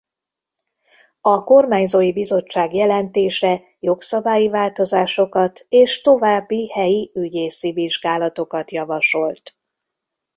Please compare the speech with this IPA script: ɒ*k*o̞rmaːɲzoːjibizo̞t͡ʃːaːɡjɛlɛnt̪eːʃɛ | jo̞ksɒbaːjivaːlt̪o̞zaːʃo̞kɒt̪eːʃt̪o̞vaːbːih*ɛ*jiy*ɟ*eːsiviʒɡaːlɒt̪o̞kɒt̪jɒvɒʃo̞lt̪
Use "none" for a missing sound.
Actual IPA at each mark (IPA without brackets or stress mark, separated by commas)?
k, ɛ, ɟ